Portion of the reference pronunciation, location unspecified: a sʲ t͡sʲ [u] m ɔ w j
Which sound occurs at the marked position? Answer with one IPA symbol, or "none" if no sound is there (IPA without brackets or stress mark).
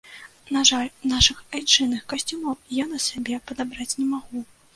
u